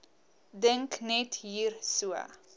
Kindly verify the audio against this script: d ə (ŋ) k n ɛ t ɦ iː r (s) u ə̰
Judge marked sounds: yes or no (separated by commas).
yes, yes